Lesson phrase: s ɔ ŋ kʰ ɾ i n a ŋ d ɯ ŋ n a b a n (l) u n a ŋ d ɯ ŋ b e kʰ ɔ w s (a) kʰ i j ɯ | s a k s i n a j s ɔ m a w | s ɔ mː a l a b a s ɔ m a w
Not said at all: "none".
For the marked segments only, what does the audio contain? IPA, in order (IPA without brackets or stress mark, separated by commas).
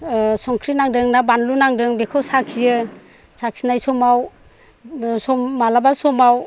l, a